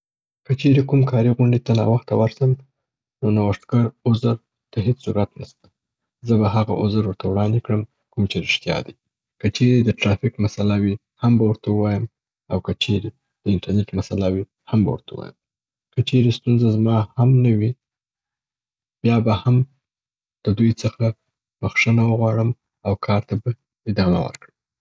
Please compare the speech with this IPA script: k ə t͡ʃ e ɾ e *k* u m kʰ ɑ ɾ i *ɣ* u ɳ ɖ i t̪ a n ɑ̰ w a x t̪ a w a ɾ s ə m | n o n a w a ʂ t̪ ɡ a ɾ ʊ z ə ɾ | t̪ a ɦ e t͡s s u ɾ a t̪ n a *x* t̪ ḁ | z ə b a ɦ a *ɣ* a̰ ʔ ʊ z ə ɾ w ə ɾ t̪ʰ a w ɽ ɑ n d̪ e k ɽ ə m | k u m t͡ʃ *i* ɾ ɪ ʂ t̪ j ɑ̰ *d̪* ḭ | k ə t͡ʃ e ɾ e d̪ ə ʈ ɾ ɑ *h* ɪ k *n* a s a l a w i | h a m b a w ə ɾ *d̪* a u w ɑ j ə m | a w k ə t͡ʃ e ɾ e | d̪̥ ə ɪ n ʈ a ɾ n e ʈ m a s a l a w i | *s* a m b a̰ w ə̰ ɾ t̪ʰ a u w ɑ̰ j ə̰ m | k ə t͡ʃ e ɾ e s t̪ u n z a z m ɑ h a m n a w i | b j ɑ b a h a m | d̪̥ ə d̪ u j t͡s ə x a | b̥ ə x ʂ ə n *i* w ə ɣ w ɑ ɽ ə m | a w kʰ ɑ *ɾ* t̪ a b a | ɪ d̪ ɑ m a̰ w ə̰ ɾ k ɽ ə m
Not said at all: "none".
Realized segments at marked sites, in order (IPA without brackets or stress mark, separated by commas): k, ɣ, s, ɣ, e, d̪, f, m, t̪, h, a, ɾ